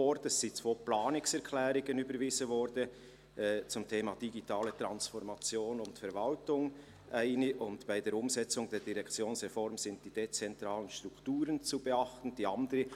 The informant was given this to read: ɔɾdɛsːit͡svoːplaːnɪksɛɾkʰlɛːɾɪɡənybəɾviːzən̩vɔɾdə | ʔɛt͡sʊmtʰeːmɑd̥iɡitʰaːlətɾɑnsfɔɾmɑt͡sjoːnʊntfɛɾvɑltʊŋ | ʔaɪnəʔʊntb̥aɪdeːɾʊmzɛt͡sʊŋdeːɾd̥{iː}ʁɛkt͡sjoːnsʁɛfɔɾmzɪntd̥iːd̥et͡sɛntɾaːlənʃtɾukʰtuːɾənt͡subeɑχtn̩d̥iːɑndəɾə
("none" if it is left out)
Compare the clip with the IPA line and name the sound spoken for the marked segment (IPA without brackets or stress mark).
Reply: i